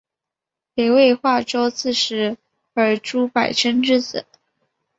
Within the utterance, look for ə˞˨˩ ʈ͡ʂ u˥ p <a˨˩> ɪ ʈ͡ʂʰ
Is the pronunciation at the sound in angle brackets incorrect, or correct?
correct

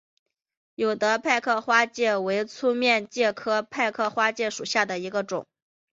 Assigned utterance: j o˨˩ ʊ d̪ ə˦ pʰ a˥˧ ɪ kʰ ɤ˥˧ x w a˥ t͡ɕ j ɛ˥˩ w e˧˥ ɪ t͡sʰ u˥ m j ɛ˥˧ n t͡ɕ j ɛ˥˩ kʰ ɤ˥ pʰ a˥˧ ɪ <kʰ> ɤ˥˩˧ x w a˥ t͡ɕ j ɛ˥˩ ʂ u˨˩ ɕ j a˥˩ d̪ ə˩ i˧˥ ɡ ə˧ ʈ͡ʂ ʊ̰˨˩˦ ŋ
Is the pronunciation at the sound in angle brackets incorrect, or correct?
correct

